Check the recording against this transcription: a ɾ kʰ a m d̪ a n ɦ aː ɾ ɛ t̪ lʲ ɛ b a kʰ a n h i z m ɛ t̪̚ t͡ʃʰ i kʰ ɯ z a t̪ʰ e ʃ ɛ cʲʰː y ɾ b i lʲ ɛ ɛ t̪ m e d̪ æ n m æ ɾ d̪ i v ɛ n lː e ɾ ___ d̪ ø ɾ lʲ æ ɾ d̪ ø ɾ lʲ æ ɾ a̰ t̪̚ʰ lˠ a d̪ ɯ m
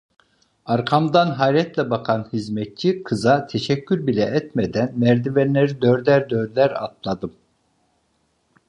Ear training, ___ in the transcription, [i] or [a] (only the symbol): i